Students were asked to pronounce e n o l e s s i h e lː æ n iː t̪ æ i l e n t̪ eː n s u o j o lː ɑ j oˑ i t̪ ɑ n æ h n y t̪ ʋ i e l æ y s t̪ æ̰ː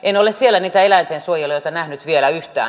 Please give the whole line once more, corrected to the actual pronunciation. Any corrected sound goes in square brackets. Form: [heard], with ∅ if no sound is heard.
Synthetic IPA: e n o l e s s i [∅] e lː æ n iː t̪ æ [e] l [æ] n t̪ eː n s u o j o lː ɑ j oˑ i t̪ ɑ n æ h n y t̪ ʋ i e l æ y [h] t̪ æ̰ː